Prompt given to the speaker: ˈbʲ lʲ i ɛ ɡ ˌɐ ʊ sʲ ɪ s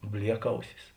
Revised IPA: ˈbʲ lʲ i ɛ k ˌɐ ʊ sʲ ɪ s